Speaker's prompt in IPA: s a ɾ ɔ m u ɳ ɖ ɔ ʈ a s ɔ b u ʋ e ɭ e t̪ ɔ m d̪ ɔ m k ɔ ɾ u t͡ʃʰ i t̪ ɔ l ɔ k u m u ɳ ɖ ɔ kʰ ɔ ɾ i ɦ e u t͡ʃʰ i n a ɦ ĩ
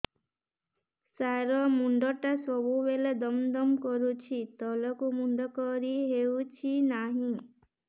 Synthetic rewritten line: s a ɾ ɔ m u ɳ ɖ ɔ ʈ a s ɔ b u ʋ e l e d̪ ɔ m d̪ ɔ m k ɔ ɾ u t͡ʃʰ i t̪ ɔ l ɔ k u m u ɳ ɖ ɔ k ɔ ɾ i ɦ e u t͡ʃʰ i n a ɦ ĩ

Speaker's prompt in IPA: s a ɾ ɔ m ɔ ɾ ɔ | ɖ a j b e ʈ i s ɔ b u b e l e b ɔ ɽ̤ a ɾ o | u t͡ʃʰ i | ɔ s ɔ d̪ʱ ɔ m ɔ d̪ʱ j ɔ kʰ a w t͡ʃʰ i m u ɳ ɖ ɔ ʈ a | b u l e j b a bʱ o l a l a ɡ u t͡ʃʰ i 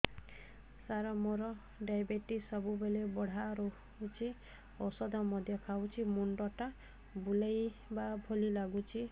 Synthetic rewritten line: s a ɾ ɔ m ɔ ɾ ɔ | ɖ a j b e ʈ i s ɔ b u b e l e b ɔ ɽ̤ a ɾ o | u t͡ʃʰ i | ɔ s ɔ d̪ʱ ɔ m ɔ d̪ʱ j ɔ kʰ a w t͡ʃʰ i m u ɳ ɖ ɔ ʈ a | b u l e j b a bʱ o l i l a ɡ u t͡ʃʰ i

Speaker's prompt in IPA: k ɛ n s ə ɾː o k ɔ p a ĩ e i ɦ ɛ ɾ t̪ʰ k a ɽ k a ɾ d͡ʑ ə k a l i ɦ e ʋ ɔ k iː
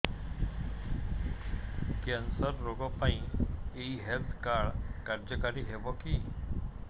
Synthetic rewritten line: k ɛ n s ə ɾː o ɡ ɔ p a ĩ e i ɦ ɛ l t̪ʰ k a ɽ k a ɾ d͡ʑ ə k a ɾ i ɦ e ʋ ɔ k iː

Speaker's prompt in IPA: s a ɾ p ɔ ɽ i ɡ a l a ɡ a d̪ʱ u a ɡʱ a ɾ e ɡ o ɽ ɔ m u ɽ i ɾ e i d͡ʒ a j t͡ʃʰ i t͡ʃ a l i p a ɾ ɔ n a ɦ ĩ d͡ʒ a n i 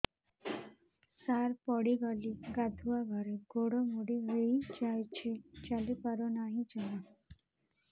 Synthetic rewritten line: s a ɾ p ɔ ɽ i ɡ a l i ɡ a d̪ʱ u a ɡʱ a ɾ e ɡ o ɽ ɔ m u ɽ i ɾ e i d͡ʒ a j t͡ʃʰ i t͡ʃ a l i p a ɾ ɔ n a ɦ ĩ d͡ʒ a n a

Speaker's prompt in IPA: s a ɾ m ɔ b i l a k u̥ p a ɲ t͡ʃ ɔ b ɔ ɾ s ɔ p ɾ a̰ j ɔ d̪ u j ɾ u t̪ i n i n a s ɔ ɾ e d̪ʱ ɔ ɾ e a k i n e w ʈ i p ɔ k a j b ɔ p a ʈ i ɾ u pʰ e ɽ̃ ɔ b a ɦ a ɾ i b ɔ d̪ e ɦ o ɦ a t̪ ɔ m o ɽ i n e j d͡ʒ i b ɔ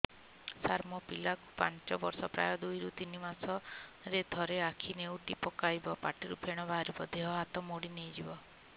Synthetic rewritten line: s a ɾ m ɔ p i l a k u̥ p a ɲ t͡ʃ ɔ b ɔ ɾ s ɔ p ɾ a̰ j ɔ d̪ u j ɾ u t̪ i n i m a s ɔ ɾ e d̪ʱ ɔ ɾ e a kʰ i n e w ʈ i p ɔ k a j b ɔ p a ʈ i ɾ u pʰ e ɽ̃ ɔ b a ɦ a ɾ i b ɔ d̪ e ɦ ɔ ɦ a t̪ ɔ m o ɽ i n e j d͡ʒ i b ɔ

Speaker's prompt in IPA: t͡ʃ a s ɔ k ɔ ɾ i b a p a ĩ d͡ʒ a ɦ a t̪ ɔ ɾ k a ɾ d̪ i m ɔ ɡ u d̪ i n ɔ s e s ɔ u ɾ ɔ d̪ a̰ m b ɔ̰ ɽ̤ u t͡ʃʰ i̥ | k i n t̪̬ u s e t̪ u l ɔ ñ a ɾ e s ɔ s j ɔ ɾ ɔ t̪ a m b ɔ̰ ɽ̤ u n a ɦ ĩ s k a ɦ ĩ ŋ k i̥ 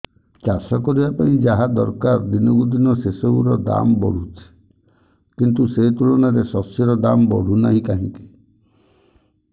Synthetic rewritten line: t͡ʃ a s ɔ k ɔ ɾ i b a p a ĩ d͡ʒ a ɦ a d̪ ɔ ɾ k a ɾ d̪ i n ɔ ɡ u d̪ i n ɔ s e s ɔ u ɾ ɔ d̪ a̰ m b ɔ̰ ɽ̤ u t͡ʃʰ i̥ | k i n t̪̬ u s e t̪ u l ɔ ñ a ɾ e s ɔ s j ɔ ɾ ɔ d̪ a m b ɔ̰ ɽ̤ u n a ɦ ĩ k a ɦ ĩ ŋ k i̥

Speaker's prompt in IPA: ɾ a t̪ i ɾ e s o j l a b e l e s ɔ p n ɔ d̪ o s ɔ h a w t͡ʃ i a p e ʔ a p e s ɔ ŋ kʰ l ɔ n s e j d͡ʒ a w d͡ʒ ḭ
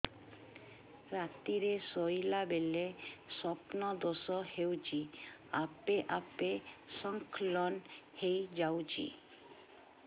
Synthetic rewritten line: ɾ a t̪ i ɾ e s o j l a b e l e s ɔ p n ɔ d̪ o s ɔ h e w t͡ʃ i a p e ʔ a p e s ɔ ŋ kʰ l ɔ n h e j d͡ʒ a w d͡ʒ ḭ

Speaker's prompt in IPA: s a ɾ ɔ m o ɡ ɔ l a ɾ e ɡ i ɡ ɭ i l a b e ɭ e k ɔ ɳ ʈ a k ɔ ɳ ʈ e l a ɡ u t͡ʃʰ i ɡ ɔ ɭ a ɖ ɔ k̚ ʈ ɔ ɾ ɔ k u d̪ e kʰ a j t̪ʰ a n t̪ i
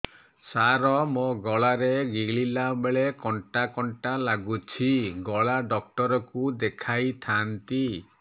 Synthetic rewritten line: s a ɾ ɔ m o ɡ ɔ ɭ a ɾ e ɡ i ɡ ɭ i l a b e ɭ e k ɔ ɳ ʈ a k ɔ ɳ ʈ a l a ɡ u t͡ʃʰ i ɡ ɔ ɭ a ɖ ɔ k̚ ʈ ɔ ɾ ɔ k u d̪ e kʰ a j t̪ʰ a n t̪ i

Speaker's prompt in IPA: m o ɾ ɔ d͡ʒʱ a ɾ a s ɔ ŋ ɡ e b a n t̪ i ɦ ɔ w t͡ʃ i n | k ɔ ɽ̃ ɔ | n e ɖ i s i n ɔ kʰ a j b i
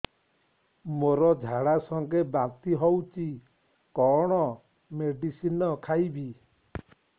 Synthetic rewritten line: m o ɾ ɔ d͡ʒʱ a ɽ a s ɔ ŋ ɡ e b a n t̪ i ɦ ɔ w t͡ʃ i | k ɔ ɽ̃ ɔ | m e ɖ i s i n ɔ kʰ a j b i

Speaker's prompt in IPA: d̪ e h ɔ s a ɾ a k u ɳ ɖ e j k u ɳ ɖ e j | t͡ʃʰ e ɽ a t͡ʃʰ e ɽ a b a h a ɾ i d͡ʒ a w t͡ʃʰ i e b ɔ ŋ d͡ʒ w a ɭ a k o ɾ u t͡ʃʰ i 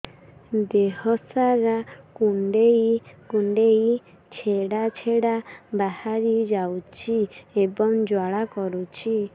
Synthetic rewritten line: d̪ e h ɔ s a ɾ a k u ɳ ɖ e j k u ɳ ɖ e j | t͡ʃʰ e ɽ a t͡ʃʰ e ɽ a b a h a ɾ i d͡ʒ a w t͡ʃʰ i e b ɔ ŋ d͡ʒ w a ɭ a k ɔ ɾ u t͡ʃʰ i

